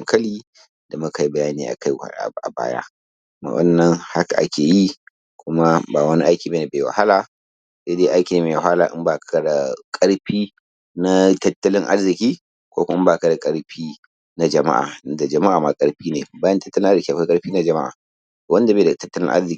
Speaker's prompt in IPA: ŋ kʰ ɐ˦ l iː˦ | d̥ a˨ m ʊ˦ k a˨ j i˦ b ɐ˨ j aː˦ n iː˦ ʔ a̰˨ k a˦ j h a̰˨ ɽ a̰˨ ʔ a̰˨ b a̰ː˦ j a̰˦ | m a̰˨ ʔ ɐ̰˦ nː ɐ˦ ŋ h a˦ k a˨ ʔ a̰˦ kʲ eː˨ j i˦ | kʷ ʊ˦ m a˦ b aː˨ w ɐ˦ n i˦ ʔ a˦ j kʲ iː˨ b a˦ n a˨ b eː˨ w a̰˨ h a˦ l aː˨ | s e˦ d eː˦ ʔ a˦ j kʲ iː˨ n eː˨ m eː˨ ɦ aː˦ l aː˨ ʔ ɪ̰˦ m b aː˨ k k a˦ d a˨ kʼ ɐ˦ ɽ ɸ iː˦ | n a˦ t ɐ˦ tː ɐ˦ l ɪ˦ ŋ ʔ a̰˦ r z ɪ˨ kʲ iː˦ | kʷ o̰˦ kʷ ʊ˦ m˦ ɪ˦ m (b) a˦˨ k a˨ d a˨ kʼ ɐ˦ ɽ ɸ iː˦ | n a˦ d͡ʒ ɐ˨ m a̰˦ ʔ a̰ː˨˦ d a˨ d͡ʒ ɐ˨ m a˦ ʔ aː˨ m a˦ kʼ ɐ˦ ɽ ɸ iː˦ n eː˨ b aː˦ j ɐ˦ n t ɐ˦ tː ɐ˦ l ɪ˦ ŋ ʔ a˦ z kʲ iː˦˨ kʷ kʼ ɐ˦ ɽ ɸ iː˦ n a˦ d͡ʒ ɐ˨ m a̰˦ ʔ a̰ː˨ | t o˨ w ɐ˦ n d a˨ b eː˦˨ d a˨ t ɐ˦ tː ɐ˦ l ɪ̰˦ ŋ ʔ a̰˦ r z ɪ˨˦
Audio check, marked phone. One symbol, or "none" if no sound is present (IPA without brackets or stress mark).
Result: b